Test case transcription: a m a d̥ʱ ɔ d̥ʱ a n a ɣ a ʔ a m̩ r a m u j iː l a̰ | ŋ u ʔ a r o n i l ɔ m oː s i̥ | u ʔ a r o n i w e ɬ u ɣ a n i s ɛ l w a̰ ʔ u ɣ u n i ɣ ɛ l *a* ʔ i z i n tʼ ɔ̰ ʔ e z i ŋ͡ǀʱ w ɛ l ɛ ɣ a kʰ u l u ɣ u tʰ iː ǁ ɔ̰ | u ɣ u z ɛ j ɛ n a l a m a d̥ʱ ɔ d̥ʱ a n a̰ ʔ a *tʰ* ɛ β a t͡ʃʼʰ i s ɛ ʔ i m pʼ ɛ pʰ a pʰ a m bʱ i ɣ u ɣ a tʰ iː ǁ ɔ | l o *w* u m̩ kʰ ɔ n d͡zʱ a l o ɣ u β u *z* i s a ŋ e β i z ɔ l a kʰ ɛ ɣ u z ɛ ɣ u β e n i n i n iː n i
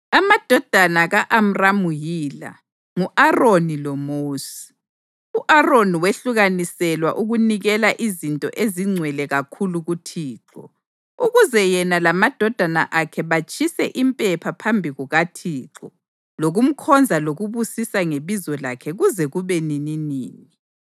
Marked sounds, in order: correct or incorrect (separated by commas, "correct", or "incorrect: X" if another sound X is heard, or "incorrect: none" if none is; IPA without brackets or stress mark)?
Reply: correct, incorrect: kʰ, incorrect: ɣ, incorrect: s